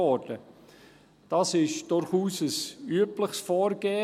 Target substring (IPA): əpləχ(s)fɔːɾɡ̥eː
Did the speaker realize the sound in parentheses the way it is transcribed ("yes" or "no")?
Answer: yes